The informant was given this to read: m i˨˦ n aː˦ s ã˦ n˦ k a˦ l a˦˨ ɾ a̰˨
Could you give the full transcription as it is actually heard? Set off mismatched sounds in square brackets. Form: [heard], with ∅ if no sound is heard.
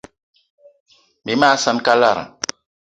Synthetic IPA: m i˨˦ [m] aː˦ s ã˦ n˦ k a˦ l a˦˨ ɾ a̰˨